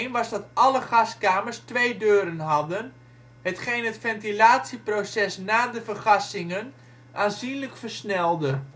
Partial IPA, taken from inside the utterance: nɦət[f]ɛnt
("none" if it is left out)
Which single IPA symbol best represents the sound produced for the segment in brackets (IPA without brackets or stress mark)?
f